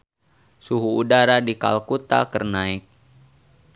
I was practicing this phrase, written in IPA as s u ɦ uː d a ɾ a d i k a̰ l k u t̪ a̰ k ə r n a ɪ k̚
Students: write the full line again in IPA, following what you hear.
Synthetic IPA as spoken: s u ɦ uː d a ɾ a d i k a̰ l k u t̪ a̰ k ə r n a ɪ k̚